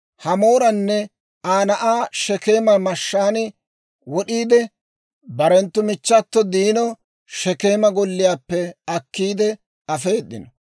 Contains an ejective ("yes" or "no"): no